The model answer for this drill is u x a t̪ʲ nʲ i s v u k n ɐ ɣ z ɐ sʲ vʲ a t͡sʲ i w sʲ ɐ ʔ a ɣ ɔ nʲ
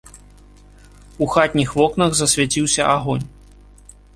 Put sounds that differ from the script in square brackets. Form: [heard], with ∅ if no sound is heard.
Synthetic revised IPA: u x a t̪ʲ nʲ i [x] v [ɔ] k n ɐ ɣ z ɐ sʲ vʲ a t͡sʲ i w sʲ ɐ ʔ a ɣ ɔ nʲ